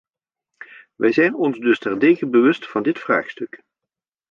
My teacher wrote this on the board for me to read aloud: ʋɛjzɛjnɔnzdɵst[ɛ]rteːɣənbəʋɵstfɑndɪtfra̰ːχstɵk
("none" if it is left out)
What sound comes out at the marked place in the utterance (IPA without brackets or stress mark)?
ɛ